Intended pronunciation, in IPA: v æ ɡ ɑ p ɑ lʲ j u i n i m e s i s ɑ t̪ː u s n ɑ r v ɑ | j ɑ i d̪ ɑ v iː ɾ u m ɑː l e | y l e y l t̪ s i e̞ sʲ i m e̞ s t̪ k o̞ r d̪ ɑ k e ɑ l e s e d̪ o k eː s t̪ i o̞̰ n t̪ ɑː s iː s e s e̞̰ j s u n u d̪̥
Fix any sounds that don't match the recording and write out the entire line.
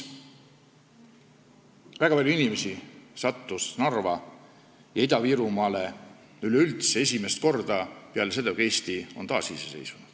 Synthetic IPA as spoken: v æ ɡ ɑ p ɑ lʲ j u i n i m e s i s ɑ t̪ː u s n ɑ r v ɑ | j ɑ i d̪ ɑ v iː ɾ u m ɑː l e | y l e y l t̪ s e e̞ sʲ i m e̞ s t̪ k o̞ r d̪ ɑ p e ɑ l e s e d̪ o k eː s t̪ i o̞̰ n t̪ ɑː s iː s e s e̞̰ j s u n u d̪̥